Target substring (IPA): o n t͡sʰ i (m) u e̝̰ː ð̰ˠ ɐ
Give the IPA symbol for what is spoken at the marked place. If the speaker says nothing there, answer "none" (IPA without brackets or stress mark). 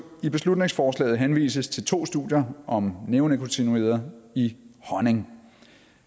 n